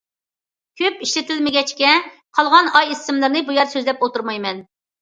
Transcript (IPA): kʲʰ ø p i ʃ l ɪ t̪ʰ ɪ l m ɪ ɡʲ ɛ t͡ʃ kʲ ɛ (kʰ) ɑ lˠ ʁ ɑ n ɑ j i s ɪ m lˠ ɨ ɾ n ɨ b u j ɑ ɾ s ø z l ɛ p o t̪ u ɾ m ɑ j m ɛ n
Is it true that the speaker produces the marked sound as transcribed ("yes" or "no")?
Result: no